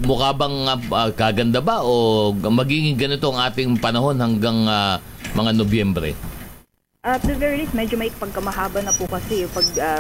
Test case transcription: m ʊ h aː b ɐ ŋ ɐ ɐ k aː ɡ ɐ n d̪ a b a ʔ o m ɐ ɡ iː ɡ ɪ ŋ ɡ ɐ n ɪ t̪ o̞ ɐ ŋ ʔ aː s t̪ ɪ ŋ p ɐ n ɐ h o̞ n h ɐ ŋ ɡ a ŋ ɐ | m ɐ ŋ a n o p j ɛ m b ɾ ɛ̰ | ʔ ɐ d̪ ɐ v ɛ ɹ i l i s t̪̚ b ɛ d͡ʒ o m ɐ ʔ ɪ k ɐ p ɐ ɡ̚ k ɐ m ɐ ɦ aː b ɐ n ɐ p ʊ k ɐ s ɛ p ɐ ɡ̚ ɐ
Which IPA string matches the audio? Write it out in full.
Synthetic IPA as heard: m ʊ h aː b ɐ ŋ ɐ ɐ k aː ɡ ɐ n d̪ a b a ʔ o m ɐ ɡ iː ɡ ɪ ŋ ɡ ɐ n ɪ t̪ o̞ ɐ ŋ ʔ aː t̪ ɪ ŋ p ɐ n ɐ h o̞ n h ɐ ŋ ɡ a ŋ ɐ | m ɐ ŋ a n o b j ɛ m b ɾ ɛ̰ | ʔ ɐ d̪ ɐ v ɛ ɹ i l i s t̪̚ m ɛ d͡ʒ o m ɐ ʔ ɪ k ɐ p ɐ ɡ̚ k ɐ m ɐ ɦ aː b ɐ n ɐ p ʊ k ɐ s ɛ p ɐ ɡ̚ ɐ